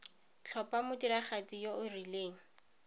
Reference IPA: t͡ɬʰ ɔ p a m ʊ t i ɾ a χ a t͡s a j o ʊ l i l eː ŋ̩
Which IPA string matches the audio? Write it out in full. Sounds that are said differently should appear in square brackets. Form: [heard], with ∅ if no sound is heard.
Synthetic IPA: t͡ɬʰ ɔ p a m ʊ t i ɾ a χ a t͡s [i] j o ʊ [r] i l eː ŋ̩